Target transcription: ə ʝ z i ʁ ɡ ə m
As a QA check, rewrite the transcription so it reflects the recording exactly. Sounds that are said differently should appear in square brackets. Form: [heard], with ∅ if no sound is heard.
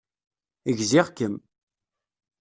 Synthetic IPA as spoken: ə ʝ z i ʁ [k] ə m